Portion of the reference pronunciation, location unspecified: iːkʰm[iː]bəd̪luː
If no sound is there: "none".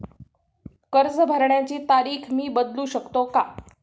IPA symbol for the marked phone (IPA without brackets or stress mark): iː